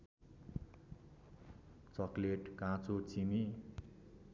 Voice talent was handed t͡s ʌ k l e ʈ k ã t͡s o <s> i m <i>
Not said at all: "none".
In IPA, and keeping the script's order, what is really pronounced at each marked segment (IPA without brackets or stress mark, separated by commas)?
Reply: t͡s, i